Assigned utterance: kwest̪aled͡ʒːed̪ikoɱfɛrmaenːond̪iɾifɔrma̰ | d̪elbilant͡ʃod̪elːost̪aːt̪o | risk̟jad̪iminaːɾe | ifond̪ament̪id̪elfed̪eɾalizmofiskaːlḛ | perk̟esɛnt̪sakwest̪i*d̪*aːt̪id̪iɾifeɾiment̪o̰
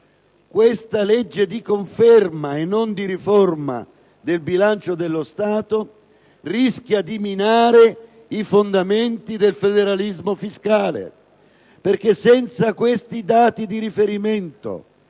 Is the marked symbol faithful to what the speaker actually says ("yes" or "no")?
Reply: yes